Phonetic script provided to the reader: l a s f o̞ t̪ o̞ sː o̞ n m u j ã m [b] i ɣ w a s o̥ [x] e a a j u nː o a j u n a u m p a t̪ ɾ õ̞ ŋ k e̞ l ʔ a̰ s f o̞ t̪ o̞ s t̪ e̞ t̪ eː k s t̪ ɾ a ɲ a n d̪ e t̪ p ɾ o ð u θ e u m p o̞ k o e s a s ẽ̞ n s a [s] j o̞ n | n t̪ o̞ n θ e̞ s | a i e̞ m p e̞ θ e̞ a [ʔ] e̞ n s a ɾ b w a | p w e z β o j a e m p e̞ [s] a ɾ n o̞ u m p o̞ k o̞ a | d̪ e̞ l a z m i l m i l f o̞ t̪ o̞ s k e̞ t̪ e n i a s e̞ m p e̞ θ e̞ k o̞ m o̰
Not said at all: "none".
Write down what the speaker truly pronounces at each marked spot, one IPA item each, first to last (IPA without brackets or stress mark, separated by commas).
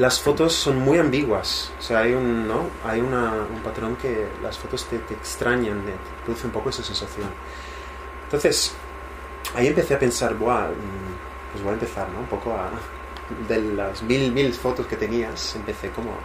b, s, θ, p, θ